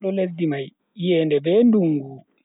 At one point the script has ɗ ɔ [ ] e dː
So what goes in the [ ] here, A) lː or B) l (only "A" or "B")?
B